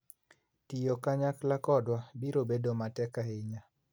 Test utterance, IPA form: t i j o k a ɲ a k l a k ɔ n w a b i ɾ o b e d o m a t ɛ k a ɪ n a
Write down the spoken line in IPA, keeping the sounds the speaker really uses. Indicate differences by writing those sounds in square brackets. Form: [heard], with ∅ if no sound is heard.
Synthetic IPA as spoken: t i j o k a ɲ a k l a k ɔ [d] w a b i ɾ o b e d o m a t ɛ k a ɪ [ɲ] a